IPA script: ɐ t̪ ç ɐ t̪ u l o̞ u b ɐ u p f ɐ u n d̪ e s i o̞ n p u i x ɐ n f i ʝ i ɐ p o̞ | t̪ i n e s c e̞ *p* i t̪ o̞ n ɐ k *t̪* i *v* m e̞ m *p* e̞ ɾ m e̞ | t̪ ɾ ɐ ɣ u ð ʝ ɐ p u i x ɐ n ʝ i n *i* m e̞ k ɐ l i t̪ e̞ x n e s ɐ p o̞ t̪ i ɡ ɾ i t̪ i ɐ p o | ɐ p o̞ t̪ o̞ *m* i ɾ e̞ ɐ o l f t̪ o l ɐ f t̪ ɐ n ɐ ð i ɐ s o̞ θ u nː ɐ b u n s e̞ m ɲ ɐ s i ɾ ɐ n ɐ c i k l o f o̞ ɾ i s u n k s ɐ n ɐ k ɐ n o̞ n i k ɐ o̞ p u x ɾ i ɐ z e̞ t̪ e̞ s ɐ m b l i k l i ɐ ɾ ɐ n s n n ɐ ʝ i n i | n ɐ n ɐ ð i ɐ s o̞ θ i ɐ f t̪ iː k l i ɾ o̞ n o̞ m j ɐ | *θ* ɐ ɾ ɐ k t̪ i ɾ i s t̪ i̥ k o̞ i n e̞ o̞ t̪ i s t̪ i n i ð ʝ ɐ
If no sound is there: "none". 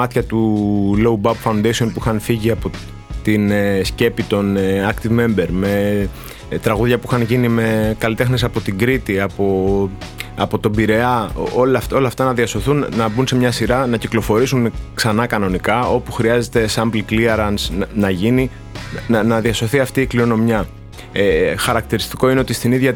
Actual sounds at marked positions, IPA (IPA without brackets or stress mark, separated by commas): p, t̪, v, b, i, b, x